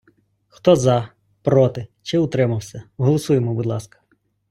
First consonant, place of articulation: velar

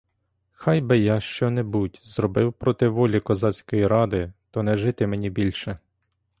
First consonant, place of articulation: velar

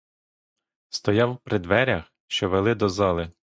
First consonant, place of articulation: alveolar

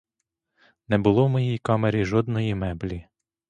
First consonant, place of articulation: alveolar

